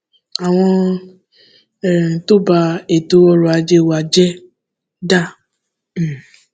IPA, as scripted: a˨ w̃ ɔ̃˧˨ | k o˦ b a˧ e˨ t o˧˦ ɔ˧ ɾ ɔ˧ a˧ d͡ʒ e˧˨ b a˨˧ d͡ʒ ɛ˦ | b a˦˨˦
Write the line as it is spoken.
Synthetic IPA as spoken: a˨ w̃ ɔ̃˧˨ | t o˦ b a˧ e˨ t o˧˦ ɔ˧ ɾ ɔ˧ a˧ d͡ʒ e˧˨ w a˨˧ d͡ʒ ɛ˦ | d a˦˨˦